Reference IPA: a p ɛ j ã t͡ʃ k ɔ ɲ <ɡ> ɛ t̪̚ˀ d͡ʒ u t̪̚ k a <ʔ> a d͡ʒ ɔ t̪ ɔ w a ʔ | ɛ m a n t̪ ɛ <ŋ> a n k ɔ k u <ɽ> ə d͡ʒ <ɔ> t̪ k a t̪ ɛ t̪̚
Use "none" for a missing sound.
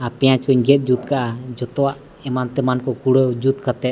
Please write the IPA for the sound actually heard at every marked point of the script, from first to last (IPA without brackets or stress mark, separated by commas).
ɡ, ʔ, m, ɽ, u